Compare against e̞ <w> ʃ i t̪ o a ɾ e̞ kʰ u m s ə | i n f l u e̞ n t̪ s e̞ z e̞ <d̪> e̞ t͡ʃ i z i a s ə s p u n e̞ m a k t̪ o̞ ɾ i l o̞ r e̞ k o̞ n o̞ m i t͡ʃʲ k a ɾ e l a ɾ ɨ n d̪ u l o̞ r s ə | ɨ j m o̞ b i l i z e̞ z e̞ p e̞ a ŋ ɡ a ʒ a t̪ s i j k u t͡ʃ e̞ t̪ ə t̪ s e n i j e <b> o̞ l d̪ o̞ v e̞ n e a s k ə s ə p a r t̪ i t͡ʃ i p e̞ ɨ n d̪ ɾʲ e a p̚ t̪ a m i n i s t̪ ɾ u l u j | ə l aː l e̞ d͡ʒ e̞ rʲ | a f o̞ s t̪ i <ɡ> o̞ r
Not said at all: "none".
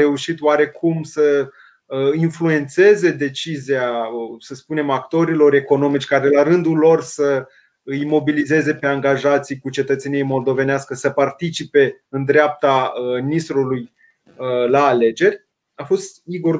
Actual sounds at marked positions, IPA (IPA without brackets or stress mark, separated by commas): u, d̪, m, ɡ